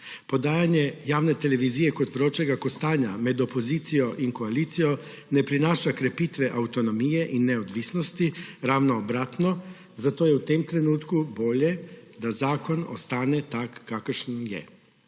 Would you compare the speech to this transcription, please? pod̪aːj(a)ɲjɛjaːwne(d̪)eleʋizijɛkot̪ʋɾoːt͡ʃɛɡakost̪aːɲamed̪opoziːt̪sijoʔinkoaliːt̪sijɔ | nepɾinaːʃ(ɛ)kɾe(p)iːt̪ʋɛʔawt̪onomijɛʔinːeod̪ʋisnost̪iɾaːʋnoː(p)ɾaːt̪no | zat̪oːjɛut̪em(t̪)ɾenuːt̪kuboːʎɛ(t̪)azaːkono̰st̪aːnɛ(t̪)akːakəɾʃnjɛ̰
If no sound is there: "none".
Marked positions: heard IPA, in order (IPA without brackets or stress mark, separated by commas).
a, t̪, a, p, b, t̪, d̪, t̪